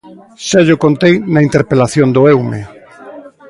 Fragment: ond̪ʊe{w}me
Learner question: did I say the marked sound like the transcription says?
yes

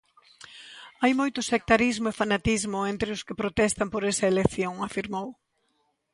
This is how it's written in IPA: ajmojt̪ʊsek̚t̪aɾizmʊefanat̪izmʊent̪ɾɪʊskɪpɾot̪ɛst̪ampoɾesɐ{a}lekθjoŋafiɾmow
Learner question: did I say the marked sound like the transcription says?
no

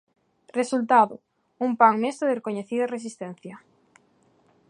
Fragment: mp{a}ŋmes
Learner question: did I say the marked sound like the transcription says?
yes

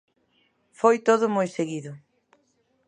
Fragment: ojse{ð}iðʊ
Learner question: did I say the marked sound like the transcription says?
no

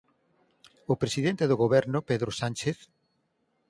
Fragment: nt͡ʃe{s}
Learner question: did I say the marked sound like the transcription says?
no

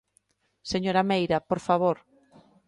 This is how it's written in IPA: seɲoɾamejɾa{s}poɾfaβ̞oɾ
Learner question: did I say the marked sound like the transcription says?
no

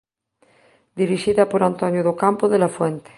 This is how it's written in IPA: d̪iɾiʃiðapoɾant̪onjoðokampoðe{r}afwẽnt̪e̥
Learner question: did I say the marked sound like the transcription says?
no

